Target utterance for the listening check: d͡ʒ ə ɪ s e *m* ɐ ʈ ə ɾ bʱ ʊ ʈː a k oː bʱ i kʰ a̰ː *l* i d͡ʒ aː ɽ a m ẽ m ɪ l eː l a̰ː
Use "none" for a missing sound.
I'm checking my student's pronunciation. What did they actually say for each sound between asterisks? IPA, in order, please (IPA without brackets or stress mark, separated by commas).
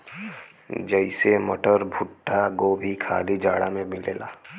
m, l